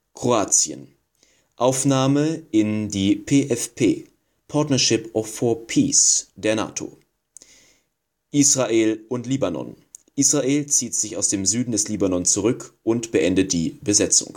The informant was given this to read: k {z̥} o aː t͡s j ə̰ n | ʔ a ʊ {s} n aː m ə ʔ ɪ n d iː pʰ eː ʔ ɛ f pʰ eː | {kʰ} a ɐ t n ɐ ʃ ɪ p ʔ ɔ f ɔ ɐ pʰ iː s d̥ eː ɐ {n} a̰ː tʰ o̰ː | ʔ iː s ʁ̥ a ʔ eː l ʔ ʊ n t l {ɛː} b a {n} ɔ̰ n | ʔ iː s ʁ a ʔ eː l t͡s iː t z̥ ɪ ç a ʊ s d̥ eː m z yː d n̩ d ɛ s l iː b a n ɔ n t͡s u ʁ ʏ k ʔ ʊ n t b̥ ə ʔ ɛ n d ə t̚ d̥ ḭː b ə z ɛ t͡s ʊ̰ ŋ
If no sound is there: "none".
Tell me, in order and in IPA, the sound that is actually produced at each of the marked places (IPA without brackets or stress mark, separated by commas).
ʁ̥, f, pʰ, n, iː, n